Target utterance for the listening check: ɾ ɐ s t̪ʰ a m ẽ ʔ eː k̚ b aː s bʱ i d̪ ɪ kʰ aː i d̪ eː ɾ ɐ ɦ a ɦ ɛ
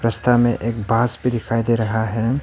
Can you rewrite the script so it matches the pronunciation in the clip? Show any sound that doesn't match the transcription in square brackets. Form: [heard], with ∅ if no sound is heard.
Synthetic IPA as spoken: ɾ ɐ s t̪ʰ a m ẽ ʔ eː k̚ b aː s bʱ i d̪ ɪ kʰ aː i d̪ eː ɾ ɐ ɦ a ɦ ɛ